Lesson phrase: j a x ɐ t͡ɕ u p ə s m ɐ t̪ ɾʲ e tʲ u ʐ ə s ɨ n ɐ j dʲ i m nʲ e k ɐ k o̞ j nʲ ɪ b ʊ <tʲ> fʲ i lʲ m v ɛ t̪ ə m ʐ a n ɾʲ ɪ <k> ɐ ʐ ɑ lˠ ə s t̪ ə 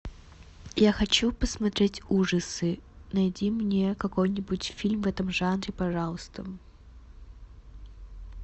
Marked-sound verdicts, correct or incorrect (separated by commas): correct, incorrect